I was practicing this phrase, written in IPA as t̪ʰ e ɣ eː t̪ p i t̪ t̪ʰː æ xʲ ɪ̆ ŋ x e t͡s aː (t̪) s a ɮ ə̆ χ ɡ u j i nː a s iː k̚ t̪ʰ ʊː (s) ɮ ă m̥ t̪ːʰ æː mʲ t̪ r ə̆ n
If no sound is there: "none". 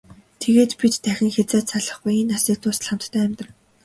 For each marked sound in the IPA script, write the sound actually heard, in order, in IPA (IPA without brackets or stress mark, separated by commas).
t̪, s